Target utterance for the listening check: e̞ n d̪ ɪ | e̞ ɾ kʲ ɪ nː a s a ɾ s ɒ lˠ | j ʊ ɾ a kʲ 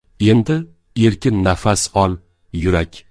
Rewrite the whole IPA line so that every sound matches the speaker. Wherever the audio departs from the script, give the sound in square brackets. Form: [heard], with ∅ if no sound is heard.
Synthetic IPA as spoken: e̞ n d̪ ɪ | e̞ ɾ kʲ ɪ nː a [f] a [∅] s ɒ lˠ | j ʊ ɾ a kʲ